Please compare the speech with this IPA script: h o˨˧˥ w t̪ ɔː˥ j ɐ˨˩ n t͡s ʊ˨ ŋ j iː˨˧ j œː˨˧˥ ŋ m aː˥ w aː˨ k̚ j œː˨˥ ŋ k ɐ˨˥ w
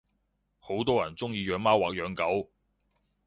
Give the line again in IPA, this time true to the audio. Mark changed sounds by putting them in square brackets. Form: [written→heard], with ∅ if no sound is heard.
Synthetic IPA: h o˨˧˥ w t̪ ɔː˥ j ɐ˨˩ n t͡s [ʊ˨→ʊ˥] ŋ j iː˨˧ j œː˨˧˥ ŋ m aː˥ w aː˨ k̚ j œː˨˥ ŋ k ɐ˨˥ w